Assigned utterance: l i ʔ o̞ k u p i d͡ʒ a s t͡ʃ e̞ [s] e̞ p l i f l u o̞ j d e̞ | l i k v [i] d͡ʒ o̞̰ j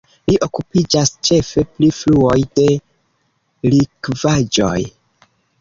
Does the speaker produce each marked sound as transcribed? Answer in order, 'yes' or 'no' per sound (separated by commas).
no, no